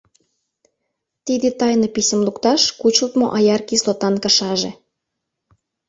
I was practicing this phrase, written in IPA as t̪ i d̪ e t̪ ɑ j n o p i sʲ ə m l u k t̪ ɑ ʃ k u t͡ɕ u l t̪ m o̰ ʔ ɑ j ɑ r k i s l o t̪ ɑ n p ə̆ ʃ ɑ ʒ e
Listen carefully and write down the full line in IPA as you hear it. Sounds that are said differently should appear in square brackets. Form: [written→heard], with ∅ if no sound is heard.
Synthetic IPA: t̪ i d̪ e t̪ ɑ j n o p i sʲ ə m l u k t̪ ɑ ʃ k u t͡ɕ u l t̪ m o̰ ʔ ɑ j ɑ r k i s l o t̪ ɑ n [p→k] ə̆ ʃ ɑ ʒ e